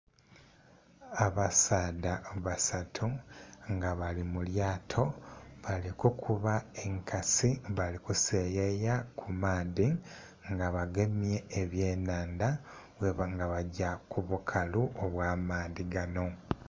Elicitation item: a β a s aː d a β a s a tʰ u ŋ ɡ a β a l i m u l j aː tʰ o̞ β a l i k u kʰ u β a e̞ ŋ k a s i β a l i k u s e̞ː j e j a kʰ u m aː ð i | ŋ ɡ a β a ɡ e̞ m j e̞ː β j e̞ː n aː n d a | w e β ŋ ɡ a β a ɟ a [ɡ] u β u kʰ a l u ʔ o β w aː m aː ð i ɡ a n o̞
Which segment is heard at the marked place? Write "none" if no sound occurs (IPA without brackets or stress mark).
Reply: k